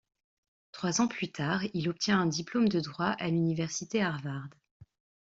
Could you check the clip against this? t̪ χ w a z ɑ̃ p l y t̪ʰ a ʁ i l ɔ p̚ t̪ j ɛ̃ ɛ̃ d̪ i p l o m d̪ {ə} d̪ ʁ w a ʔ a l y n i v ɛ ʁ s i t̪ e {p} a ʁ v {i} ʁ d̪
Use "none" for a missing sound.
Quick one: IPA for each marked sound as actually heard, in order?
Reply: ə, none, a

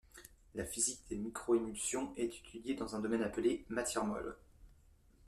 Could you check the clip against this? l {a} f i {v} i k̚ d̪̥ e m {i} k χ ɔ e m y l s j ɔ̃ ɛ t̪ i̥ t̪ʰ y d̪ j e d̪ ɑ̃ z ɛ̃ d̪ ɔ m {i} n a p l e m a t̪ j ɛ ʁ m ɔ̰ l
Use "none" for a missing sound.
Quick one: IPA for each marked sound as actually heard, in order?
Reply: a, z, i, ɛ

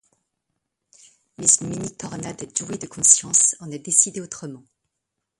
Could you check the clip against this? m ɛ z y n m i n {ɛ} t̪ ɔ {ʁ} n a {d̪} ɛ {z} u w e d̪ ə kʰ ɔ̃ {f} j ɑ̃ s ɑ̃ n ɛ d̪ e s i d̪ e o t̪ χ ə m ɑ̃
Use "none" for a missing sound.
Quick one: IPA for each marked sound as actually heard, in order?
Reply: i, ʁ, d̪, ʒ, s

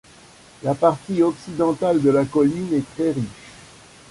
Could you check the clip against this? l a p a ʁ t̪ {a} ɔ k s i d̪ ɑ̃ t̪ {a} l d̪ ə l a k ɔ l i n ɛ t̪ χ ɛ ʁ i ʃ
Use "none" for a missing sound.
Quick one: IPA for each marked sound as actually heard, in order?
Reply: i, a

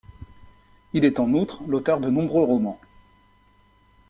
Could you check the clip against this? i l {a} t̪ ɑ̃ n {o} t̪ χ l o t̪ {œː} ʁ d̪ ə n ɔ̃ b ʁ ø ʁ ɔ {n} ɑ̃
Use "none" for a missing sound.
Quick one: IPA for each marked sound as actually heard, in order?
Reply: ɛ, u, œ, m

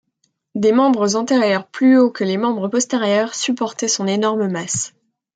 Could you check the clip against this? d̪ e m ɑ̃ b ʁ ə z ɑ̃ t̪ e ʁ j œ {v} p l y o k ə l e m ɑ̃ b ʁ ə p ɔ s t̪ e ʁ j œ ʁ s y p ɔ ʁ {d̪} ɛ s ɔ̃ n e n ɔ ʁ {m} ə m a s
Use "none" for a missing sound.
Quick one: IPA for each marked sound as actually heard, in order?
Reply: ʁ, t̪, m

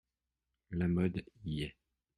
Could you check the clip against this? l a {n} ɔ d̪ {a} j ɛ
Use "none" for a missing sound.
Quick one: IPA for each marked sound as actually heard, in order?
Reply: m, i

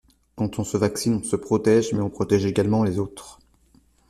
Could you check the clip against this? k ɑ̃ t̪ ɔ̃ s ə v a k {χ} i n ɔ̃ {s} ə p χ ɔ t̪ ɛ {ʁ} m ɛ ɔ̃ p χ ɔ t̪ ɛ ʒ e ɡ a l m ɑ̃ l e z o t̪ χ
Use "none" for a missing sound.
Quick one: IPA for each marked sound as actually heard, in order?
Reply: s, s, ʒ

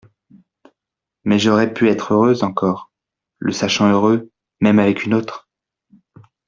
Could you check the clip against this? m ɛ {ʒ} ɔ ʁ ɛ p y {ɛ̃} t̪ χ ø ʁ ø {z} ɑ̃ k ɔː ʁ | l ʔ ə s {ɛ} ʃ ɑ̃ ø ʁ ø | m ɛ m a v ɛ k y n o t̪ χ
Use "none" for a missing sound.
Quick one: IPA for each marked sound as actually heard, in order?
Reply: ʒ, ɛ, z, a

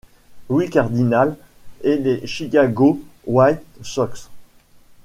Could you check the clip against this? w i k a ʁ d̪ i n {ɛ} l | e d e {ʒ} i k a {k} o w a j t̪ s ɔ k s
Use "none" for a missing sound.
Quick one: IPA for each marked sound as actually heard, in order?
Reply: a, ʃ, ɡ

